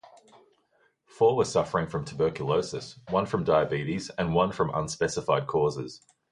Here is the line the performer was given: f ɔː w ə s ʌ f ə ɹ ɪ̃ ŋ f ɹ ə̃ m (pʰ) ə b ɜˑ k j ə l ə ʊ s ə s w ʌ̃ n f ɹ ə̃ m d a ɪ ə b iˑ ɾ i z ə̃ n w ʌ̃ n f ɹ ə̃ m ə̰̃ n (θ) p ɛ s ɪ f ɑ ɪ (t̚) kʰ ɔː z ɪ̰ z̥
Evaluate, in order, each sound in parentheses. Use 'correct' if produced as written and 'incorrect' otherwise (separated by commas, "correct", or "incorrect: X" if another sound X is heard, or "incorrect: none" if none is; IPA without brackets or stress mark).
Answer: incorrect: tʰ, incorrect: s, incorrect: d̚